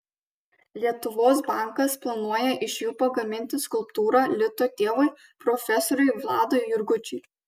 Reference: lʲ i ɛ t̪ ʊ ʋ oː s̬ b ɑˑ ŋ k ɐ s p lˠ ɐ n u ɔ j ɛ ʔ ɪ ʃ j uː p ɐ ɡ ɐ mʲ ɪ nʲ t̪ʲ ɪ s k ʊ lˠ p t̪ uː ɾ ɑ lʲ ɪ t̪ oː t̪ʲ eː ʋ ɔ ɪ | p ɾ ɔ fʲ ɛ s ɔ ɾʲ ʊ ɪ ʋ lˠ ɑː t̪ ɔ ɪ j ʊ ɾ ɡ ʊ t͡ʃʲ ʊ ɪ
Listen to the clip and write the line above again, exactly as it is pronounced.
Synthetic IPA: lʲ i ɛ t̪ ʊ ʋ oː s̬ b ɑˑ ŋ k ɐ s p lˠ ɐ n u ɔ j ɛ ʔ ɪ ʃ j uː p ɐ ɡ ɐ mʲ ɪ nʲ t̪ʲ ɪ s k ʊ lˠ p t̪ uː ɾ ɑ lʲ ɪ t̪ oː t̪ʲ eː ʋ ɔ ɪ | p ɾ ɔ fʲ ɛ s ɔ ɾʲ ʊ ɪ ʋ lˠ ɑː d̪ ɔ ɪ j ʊ ɾ ɡ ʊ t͡ʃʲ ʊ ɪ